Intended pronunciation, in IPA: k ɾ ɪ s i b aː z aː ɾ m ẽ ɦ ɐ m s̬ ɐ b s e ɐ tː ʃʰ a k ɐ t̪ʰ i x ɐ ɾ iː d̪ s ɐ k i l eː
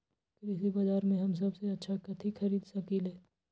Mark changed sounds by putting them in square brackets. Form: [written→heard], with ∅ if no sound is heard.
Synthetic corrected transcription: k ɾ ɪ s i b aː z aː ɾ m ẽ ɦ ɐ m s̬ ɐ b s e ɐ tː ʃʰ a k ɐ t̪ʰ i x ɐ ɾ iː d̪ s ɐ k i l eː